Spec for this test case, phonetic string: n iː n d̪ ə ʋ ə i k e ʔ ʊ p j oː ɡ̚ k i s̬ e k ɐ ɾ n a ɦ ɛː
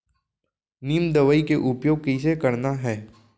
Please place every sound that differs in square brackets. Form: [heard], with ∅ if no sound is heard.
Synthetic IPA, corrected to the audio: n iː [m] d̪ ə ʋ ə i k e ʔ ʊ p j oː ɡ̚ k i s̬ e k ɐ ɾ n a ɦ ɛː